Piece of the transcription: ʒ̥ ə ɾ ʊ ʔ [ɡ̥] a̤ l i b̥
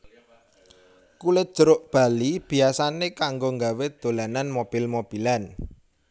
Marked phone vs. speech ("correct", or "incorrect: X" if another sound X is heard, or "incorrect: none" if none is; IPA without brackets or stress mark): incorrect: b̥